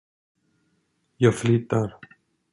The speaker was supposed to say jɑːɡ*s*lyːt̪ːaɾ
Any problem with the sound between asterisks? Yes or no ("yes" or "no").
yes